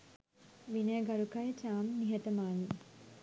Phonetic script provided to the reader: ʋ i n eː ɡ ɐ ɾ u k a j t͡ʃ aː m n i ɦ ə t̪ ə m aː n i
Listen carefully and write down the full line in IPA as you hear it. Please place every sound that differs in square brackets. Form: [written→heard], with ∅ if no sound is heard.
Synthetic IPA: ʋ i n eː ɡ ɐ ɾ u k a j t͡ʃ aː m n i ɦ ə t̪ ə m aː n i